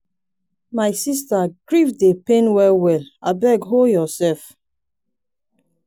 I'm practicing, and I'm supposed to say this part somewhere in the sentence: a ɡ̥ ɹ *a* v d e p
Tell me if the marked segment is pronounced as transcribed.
no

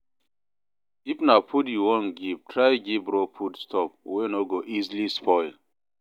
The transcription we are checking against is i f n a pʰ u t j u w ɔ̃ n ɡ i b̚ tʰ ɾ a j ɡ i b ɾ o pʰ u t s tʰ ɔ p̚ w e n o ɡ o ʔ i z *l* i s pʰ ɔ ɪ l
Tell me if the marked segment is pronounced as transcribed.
yes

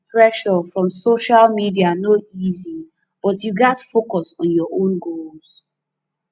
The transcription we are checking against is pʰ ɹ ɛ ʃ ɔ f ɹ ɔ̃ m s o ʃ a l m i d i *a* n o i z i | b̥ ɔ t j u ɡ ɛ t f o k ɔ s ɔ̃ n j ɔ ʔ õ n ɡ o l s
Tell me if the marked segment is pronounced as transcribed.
yes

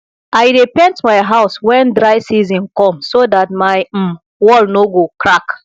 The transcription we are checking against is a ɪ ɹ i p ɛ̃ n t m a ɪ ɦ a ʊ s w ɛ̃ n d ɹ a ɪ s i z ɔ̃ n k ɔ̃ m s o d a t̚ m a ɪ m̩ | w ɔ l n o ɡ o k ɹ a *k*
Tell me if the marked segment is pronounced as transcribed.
yes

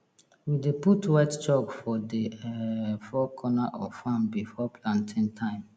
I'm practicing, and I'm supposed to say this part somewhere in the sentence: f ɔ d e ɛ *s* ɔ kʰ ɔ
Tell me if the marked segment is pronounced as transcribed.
no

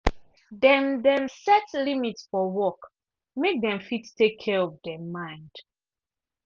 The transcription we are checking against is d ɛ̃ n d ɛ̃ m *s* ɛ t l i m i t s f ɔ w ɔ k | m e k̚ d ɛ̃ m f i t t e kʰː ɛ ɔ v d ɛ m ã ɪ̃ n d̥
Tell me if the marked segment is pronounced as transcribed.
yes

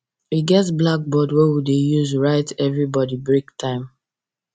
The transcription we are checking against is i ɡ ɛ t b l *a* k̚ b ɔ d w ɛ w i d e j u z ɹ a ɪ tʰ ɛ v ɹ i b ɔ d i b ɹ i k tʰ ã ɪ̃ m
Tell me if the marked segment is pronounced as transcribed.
yes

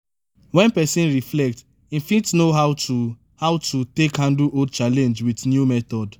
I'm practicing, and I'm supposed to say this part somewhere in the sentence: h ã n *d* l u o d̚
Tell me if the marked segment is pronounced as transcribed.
yes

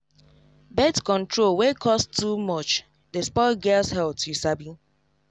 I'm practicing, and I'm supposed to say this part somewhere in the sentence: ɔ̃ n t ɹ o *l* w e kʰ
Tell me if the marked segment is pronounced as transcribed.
yes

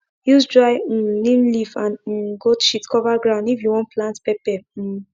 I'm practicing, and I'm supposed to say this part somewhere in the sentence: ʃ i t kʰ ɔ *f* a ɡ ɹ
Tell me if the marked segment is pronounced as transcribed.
no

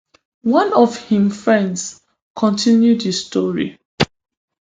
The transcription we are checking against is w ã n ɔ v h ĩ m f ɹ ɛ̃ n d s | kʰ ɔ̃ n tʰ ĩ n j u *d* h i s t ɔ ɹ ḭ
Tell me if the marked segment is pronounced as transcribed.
yes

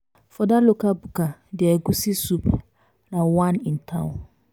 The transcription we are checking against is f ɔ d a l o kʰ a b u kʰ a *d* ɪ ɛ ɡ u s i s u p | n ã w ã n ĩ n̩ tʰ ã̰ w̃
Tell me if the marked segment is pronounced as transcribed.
yes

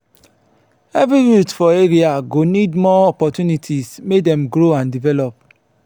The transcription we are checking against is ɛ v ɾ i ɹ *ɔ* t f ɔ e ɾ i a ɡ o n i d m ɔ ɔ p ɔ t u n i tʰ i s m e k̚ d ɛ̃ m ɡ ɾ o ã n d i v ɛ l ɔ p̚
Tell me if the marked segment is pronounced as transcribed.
no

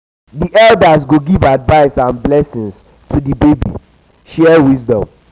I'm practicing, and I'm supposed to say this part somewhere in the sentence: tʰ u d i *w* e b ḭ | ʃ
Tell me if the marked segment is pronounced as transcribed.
no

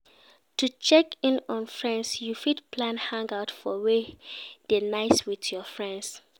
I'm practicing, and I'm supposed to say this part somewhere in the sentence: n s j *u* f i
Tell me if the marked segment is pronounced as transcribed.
yes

